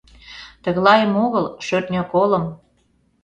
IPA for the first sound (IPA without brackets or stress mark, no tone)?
t̪